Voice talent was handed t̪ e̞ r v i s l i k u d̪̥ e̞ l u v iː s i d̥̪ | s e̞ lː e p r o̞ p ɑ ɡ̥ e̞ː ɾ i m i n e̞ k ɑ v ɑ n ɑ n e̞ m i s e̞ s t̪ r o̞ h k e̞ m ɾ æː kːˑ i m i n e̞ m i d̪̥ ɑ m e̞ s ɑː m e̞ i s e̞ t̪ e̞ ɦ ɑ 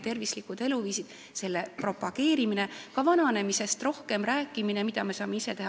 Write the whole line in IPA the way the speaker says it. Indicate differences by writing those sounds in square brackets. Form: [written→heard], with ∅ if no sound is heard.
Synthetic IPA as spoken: t̪ e̞ r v i s l i k u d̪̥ e̞ l u v iː s i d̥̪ | s e̞ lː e p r o̞ p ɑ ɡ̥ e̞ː ɾ i m i n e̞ k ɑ v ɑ n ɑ n e̞ m i s e̞ s t̪ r o̞ h k e̞ m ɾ æː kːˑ i m i n e̞ m i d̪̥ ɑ m e̞ s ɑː m e̞ i s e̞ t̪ e̞ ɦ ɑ